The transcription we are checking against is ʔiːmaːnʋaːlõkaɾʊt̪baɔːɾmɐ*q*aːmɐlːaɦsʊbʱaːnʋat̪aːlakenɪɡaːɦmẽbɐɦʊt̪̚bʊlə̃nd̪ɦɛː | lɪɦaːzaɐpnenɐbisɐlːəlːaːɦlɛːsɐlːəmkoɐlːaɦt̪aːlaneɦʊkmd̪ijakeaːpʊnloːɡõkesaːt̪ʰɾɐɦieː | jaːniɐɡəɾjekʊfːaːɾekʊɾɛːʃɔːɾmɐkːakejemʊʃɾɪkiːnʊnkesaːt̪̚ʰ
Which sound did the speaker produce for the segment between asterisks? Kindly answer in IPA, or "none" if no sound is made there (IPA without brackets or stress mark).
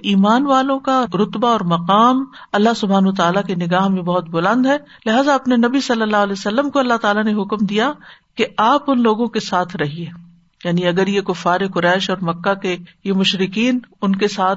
q